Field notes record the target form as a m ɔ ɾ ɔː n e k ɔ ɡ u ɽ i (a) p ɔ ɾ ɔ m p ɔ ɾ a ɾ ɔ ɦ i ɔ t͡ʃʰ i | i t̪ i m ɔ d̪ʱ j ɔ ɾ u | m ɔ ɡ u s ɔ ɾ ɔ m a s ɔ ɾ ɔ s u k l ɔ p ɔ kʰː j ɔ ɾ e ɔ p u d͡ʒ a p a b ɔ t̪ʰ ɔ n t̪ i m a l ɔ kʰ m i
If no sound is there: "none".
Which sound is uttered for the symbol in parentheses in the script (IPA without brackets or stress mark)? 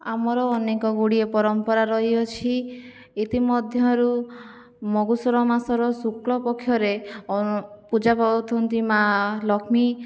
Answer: e